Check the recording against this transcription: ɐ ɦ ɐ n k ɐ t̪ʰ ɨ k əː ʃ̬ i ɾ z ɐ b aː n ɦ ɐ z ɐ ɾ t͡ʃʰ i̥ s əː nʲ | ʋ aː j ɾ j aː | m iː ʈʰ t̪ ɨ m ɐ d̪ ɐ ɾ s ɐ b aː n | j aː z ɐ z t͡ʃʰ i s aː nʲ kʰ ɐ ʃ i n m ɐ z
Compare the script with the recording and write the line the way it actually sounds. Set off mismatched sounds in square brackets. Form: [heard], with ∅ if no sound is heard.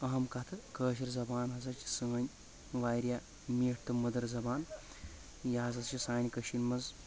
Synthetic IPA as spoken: ɐ ɦ ɐ [m] k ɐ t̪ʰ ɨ k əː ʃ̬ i ɾ z ɐ b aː n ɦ ɐ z ɐ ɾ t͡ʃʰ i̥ s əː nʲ | ʋ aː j ɾ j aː | m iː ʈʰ t̪ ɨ m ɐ d̪ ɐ ɾ [z] ɐ b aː n | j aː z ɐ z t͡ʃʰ i s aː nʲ [k] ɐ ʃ i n m ɐ z